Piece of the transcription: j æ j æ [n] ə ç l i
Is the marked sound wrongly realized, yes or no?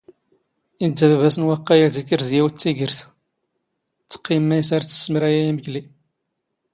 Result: yes